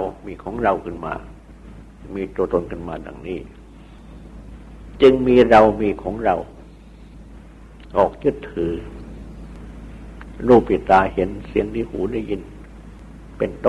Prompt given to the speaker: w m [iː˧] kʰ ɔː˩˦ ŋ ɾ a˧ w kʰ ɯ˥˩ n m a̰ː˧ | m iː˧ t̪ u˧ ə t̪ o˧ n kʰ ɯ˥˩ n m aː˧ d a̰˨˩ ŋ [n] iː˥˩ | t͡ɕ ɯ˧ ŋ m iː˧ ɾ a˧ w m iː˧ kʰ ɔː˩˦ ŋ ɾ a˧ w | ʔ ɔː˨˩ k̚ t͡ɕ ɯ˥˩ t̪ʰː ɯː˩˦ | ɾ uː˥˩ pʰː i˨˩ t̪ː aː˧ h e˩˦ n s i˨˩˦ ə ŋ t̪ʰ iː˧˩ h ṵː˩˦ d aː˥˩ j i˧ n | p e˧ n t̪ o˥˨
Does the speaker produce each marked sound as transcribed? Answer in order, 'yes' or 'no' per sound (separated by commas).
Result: yes, yes